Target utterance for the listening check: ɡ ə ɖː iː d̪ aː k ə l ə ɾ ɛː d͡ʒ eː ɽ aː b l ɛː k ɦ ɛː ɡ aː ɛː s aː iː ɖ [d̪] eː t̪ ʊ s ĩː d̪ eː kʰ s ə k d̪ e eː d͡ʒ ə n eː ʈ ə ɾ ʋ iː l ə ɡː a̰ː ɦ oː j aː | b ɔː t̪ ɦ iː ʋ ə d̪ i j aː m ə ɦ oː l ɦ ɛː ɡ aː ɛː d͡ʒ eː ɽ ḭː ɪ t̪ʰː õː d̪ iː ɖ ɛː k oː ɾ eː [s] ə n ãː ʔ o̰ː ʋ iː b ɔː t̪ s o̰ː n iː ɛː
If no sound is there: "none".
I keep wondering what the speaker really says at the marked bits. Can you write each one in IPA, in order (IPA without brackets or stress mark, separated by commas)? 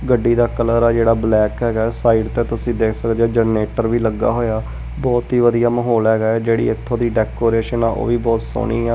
t̪, ʃ